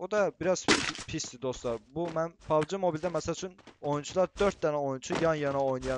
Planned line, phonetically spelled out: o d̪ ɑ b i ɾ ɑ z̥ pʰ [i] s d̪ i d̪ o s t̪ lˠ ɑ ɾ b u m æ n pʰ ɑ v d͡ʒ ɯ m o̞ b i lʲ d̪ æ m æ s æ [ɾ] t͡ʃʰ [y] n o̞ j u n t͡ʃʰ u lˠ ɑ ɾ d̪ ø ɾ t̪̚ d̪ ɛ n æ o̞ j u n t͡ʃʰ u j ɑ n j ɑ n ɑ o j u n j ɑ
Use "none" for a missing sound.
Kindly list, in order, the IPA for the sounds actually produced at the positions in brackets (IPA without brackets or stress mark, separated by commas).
i, l, y